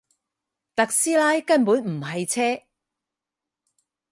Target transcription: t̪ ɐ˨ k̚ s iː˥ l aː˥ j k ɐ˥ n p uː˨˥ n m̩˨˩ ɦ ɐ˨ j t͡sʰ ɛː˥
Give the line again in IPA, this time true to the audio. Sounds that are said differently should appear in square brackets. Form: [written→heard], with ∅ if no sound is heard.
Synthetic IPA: t̪ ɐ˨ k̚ s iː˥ l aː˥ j k ɐ˥ n p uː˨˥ n m̩˨˩ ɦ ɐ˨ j t͡sʰ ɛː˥